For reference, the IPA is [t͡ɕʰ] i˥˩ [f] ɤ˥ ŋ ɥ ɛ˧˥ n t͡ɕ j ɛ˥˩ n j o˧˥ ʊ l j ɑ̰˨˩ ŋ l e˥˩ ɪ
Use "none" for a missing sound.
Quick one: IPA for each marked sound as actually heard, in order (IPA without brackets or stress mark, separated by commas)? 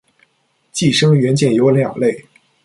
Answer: t͡ɕ, ʂ